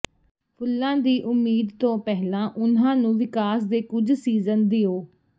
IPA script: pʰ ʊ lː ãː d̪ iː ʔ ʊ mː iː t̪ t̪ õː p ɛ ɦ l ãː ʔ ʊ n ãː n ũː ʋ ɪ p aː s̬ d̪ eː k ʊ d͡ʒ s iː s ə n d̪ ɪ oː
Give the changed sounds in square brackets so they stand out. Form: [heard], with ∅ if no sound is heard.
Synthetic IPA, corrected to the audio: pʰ ʊ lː ãː d̪ iː ʔ ʊ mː iː [d̪] t̪ õː p ɛ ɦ l ãː ʔ ʊ n ãː n ũː ʋ ɪ [k] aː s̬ d̪ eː k ʊ d͡ʒ s iː [z] ə n d̪ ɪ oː

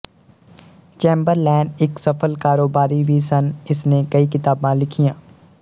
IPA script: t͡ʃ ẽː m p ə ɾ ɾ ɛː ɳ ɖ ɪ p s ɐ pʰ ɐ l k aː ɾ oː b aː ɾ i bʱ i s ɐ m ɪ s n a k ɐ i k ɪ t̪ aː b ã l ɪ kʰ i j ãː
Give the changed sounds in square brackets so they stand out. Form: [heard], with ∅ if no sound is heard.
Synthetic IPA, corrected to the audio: t͡ʃ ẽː m [b] ə ɾ [l] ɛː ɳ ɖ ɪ [k] s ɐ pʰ [ə] l k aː ɾ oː b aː ɾ i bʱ i s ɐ [n] ɪ s n [e] k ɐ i k ɪ t̪ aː b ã l ɪ kʰ i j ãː

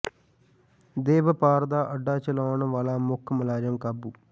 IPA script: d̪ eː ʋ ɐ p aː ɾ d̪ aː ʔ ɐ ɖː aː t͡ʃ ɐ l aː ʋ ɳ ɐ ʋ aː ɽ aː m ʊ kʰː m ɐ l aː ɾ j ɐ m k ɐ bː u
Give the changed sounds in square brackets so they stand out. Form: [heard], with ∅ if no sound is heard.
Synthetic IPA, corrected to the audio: d̪ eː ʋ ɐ p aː ɾ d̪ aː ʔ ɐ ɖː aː t͡ʃ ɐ l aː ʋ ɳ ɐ ʋ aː [l] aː m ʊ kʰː m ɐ l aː ɾ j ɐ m k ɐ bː u

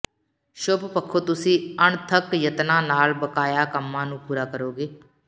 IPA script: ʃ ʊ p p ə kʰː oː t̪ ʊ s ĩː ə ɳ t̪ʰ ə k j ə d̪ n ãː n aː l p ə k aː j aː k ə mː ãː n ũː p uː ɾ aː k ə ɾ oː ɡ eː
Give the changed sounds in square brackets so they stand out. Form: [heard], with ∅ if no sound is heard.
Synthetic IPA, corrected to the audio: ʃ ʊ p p ə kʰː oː t̪ ʊ s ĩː ə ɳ t̪ʰ ə k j ə [t̪] n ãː n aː l [b] ə k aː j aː k ə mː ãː n ũː p uː ɾ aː k ə ɾ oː ɡ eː

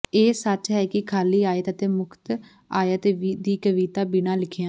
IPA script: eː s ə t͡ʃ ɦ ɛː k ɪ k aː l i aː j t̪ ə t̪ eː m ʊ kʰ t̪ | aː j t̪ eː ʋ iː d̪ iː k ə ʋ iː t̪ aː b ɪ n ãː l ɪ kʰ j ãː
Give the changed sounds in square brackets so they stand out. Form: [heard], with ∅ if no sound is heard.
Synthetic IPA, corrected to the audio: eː s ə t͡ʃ ɦ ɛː k ɪ [kʰ] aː l [iː] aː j t̪ ə t̪ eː m ʊ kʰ t̪ | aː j t̪ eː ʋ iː d̪ iː k ə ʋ iː t̪ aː b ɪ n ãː l ɪ kʰ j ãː

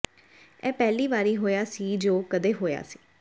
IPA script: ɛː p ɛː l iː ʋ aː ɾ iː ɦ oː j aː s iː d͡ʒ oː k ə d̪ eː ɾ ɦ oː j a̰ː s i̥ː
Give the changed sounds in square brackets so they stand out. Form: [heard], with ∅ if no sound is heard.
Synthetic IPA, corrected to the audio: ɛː p ɛː l iː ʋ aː ɾ iː ɦ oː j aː s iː d͡ʒ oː k ə d̪ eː [∅] ɦ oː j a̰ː s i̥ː

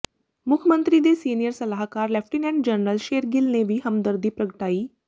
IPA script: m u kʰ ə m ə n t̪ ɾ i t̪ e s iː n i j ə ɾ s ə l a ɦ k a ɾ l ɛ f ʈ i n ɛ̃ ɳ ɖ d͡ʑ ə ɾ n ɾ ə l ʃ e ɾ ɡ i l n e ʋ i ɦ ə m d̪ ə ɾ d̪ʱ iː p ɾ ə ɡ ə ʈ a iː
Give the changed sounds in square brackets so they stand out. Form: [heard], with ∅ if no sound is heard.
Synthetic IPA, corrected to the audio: m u kʰ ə m ə n t̪ ɾ i [d̪] e s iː n i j ə ɾ s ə l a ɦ k a ɾ l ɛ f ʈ i n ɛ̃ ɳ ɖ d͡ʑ ə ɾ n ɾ ə l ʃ e ɾ ɡ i l n e ʋ i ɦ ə m d̪ ə ɾ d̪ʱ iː p ɾ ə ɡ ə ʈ a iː

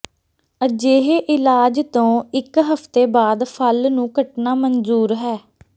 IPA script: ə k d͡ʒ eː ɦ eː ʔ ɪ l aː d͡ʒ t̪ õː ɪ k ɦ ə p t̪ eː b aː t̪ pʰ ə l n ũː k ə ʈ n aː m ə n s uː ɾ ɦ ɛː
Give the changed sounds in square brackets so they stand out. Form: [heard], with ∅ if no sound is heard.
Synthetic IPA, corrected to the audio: ə [∅] d͡ʒ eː ɦ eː ʔ ɪ l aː d͡ʒ t̪ õː ɪ k ɦ ə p t̪ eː b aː [d̪] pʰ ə l n ũː k ə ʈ n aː m ə n [z] uː ɾ ɦ ɛː

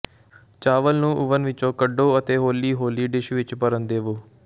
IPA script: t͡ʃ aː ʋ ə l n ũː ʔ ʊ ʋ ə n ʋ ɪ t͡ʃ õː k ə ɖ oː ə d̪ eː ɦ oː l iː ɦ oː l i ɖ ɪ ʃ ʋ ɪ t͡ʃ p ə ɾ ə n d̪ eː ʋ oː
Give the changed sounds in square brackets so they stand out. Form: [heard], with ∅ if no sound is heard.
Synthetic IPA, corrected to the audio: t͡ʃ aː ʋ ə l n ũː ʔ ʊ ʋ ə n ʋ ɪ t͡ʃ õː k ə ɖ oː ə [t̪] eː ɦ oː l iː ɦ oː l [iː] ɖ ɪ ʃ ʋ ɪ t͡ʃ p ə ɾ ə n d̪ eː ʋ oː

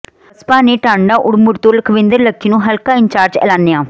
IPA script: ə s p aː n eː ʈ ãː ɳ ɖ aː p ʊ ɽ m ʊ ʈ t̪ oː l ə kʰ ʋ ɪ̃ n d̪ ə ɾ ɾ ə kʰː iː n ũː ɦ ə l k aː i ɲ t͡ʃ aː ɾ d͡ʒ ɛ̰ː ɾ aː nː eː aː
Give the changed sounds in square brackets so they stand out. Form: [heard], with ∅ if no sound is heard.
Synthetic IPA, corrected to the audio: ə s p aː n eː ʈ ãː ɳ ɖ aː [ʔ] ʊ ɽ m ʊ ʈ t̪ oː l ə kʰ ʋ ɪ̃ n d̪ ə ɾ [l] ə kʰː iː n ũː ɦ ə l k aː [ɪ] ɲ t͡ʃ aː ɾ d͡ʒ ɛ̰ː [l] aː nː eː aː

